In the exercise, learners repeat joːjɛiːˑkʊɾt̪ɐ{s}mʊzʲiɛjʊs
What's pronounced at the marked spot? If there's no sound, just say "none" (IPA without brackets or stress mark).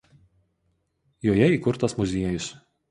s